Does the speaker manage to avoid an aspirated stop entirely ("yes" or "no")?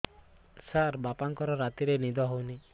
yes